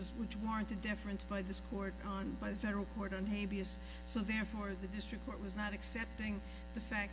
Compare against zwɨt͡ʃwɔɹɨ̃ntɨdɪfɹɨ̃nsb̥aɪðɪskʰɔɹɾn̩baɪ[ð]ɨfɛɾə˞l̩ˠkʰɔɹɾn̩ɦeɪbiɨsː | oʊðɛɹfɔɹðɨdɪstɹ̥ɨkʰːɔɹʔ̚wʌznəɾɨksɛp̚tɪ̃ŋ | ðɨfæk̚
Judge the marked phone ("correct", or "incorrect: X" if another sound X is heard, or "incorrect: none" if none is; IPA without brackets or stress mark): correct